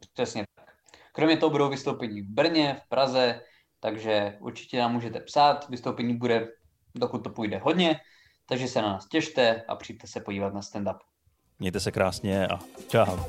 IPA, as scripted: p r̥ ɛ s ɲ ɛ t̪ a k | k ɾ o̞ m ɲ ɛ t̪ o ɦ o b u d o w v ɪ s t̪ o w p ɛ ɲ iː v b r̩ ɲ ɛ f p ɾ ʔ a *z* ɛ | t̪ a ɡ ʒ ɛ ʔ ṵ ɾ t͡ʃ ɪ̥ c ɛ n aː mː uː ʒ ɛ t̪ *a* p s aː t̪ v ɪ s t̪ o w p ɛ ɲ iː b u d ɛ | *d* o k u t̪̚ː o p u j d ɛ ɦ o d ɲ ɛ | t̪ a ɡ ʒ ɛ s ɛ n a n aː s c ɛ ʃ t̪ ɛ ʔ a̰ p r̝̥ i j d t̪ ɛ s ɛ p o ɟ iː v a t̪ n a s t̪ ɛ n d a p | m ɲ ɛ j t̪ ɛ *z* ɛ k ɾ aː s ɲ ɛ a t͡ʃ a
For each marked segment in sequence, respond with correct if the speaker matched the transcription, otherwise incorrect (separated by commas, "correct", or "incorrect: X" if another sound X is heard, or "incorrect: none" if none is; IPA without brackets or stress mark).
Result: correct, incorrect: ɛ, correct, incorrect: s